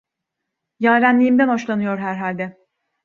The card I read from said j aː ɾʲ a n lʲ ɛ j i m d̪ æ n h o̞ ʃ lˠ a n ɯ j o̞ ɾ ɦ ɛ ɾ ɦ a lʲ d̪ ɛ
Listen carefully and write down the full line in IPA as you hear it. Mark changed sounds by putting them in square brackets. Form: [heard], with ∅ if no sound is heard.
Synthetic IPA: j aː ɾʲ [æ] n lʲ [i] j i m d̪ æ n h o̞ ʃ lˠ a n ɯ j o̞ ɾ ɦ [æ] ɾ ɦ a lʲ d̪ ɛ